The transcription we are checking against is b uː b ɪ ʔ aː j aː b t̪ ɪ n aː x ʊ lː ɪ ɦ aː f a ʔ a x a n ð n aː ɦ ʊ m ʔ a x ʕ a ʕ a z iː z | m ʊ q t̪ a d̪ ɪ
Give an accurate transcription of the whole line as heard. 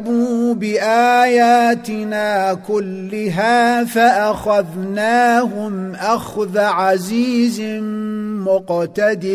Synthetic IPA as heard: b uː b ɪ ʔ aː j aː t̪ ɪ n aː k ʊ lː ɪ ɦ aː f a ʔ a x a ð n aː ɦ ʊ m ʔ a x ð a ʕ a z iː z | m ʊ q t̪ a d̪ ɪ